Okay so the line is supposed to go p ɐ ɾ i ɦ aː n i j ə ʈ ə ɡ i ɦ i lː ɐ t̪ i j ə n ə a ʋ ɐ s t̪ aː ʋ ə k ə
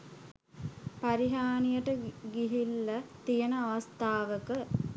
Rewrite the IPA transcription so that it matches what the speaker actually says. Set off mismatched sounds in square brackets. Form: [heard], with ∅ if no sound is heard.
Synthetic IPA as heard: p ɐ ɾ i ɦ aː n i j ə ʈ ə ɡ i ɦ i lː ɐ t̪ i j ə n ə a ʋ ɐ s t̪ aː ʋ ə k ə